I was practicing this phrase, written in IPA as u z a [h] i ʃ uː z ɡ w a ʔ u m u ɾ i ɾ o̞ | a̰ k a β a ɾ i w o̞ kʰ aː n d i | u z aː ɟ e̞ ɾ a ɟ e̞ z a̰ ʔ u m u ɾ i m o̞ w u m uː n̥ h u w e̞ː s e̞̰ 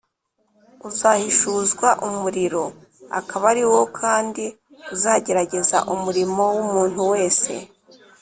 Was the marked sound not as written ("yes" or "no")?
no